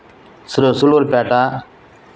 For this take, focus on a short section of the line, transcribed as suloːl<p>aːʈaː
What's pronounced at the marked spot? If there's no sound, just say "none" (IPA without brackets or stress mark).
p